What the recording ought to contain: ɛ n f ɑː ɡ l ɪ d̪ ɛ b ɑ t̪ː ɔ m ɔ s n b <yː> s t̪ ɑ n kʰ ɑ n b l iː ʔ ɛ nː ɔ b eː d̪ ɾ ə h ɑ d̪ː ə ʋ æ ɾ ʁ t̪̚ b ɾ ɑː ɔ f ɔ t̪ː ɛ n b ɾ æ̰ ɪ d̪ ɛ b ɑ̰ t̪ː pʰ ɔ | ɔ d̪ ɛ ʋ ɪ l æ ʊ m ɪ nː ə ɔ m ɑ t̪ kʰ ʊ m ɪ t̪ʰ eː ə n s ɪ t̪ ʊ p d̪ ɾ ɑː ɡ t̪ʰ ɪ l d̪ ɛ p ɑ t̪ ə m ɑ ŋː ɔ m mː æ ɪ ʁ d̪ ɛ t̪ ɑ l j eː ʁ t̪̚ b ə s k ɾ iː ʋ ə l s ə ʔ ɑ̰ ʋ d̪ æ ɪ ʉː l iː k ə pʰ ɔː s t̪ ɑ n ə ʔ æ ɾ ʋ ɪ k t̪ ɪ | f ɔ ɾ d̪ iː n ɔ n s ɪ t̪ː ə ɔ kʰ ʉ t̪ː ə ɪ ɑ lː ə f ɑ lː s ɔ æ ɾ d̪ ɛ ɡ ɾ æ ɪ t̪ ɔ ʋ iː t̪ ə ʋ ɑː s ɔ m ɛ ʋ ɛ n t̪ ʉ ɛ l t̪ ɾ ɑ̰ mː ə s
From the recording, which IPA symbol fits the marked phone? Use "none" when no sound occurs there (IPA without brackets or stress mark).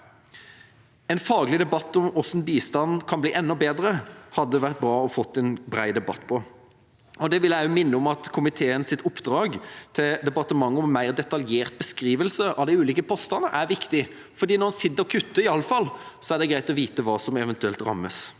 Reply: iː